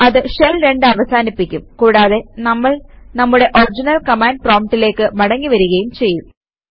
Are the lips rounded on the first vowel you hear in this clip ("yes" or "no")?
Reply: no